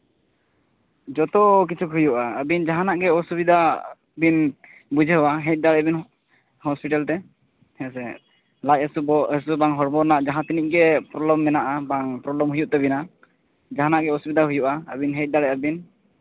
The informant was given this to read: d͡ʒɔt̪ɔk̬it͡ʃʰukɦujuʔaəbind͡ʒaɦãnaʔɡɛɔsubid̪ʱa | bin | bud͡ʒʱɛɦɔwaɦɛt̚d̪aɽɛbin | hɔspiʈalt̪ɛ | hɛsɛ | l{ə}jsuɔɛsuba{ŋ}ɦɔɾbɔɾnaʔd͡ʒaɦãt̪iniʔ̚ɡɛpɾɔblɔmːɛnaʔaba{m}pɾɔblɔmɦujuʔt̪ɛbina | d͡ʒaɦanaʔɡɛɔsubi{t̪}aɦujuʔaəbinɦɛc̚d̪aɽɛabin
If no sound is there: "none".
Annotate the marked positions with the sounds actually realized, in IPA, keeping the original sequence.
a, ŋ, ŋ, d̪

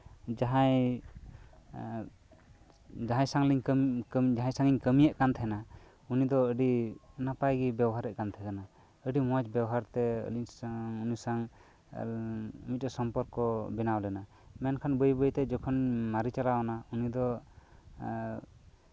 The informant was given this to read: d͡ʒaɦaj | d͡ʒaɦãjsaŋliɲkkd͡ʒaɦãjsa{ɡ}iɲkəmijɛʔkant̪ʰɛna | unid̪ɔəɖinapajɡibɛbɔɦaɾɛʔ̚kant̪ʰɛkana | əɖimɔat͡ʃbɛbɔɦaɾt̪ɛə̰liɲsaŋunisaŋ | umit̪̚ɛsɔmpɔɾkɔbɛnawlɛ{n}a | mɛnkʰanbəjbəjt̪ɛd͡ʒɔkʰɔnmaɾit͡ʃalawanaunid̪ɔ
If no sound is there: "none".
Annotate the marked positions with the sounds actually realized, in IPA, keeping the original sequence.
ŋ, n

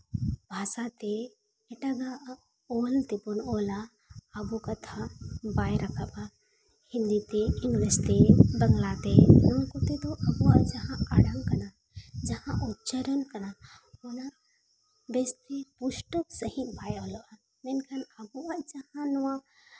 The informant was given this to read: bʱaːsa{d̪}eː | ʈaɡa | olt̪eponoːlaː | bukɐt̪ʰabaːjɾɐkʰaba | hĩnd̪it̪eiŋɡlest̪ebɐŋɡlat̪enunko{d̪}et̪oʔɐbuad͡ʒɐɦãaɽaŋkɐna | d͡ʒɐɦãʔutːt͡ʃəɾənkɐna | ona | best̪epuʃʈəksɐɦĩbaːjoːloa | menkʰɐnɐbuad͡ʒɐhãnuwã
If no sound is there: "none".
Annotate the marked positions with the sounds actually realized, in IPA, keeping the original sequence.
t̪, t̪

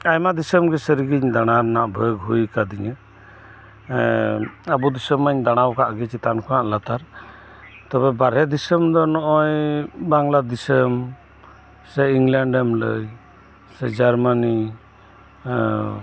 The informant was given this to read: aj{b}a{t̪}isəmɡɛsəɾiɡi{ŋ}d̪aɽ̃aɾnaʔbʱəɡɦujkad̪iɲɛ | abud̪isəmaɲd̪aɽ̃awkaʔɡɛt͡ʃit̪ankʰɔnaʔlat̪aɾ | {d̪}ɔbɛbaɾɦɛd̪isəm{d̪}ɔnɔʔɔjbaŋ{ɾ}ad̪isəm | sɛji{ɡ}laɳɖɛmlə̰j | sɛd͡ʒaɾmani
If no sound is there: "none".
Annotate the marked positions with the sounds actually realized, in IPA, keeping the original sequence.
m, d̪, ɲ, t̪, d̪, l, ŋ

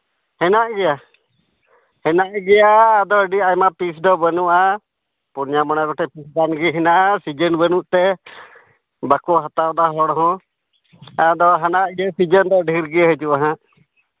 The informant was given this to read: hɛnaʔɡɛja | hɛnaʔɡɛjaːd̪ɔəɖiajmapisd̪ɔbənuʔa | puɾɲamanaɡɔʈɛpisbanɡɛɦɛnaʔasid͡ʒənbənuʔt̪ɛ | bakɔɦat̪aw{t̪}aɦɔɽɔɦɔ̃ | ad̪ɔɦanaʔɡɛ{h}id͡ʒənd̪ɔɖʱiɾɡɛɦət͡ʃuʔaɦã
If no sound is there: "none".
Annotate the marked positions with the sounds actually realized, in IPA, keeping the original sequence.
d̪, s

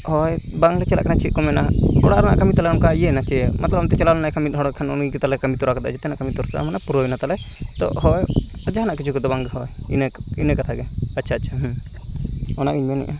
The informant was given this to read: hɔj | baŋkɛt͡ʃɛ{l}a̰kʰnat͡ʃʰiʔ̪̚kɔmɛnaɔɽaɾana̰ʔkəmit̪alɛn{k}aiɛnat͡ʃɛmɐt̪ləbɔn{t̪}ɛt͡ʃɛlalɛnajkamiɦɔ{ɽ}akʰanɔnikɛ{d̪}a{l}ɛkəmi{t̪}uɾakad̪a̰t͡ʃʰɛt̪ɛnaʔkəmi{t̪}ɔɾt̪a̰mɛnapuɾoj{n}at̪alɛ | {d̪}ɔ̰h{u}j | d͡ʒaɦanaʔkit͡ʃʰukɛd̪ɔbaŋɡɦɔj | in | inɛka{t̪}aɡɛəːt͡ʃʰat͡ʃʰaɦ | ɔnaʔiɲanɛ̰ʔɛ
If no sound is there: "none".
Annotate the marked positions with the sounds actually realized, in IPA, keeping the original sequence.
l, k, t̪, ɽ, t̪, l, t̪, t̪, n, t̪, ɔ, t̪ʰ

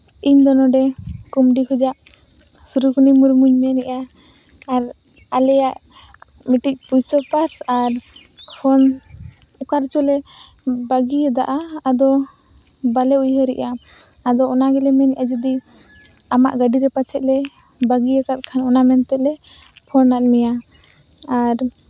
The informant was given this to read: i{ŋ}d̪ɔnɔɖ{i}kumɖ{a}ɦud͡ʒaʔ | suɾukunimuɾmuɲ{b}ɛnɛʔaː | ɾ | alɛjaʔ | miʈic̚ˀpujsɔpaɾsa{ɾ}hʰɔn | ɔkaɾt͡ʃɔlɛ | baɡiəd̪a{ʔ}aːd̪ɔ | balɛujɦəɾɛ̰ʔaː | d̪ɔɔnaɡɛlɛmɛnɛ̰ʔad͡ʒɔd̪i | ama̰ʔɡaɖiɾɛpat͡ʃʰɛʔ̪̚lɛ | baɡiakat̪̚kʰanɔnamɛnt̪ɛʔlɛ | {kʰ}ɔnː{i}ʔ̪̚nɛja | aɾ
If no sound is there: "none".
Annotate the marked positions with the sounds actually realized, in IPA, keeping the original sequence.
ɲ, ɛ, i, m, ɾ, ʔ, pʰ, a

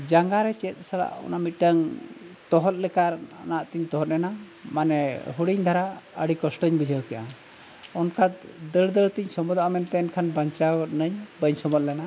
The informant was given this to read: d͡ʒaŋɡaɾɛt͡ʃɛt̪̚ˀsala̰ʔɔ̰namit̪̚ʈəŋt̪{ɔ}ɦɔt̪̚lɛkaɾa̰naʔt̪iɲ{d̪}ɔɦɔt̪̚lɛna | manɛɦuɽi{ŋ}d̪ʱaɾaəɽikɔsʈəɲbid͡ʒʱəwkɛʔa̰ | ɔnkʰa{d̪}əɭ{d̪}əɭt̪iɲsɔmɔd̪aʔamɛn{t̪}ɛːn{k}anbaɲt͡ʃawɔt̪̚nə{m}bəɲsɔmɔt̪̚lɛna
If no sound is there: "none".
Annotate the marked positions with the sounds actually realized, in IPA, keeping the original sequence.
ɔ, t̪, ɲ, d̪, d̪, t̪, kʰ, ɲ

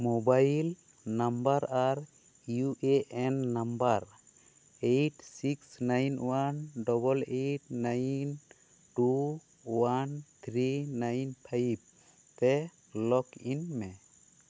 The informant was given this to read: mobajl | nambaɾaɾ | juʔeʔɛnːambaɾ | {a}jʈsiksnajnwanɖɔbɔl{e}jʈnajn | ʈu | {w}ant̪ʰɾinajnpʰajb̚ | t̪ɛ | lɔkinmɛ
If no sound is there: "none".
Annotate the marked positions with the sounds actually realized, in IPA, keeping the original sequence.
e, e, w

